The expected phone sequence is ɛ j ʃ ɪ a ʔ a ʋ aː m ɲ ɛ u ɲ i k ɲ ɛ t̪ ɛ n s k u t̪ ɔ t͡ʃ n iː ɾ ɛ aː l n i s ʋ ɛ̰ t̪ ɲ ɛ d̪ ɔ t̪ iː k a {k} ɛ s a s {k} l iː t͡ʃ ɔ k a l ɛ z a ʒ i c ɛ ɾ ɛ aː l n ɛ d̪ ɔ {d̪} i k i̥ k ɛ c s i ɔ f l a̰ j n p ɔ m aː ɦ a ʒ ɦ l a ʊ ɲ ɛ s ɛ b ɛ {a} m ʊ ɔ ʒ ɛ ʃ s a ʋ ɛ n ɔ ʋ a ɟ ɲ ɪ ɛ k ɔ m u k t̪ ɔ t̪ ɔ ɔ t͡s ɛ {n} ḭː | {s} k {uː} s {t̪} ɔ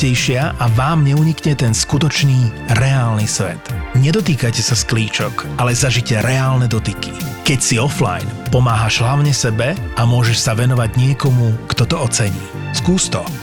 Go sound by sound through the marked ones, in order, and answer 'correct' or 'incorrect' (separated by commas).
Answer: incorrect, correct, incorrect, correct, incorrect, correct, correct, correct